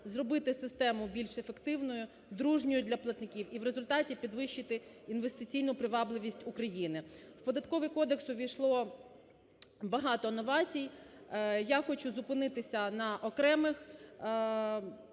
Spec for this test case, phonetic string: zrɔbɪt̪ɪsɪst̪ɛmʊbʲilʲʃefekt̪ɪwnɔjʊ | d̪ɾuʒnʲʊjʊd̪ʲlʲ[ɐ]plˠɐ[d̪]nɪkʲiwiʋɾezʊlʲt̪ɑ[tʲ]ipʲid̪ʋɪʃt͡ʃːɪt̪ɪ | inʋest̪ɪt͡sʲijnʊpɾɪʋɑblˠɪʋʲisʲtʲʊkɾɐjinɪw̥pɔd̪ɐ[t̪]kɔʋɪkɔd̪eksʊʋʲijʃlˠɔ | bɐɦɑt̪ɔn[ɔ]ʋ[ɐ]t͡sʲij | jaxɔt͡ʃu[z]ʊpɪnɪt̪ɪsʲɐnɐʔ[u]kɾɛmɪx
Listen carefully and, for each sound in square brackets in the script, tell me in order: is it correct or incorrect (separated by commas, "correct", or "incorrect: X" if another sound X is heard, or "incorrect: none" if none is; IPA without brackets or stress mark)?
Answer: correct, incorrect: t̪, correct, correct, correct, incorrect: ɑ, correct, incorrect: ɔ